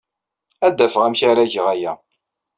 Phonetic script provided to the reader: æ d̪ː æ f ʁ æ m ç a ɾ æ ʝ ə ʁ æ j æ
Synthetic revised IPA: æ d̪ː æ f ʁ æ m ç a ɾ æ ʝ ə ʁ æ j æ